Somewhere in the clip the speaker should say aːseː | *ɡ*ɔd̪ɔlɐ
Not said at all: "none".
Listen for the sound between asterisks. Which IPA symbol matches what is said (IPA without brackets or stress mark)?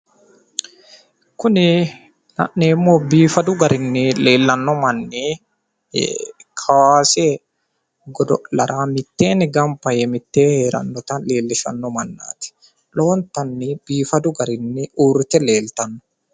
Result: ɡ